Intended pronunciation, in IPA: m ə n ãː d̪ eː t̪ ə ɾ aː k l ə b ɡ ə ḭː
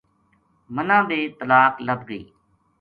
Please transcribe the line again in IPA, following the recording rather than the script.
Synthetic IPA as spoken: m ə n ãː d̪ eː t̪ ə l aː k l ə b ɡ ə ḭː